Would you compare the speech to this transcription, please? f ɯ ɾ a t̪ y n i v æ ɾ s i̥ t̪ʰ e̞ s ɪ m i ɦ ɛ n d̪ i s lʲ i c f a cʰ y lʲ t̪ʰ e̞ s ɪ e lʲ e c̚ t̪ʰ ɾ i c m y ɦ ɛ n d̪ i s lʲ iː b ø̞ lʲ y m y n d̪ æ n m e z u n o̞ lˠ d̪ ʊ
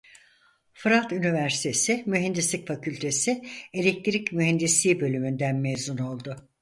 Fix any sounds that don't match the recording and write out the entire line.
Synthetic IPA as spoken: f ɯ ɾ a t̪ y n i v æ ɾ s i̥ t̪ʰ e̞ s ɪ m y ɦ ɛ n d̪ i s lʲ i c f a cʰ y lʲ t̪ʰ e̞ s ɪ e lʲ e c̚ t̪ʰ ɾ i c m y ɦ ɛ n d̪ i s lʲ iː b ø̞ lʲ y m y n d̪ æ n m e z u n o̞ lˠ d̪ ʊ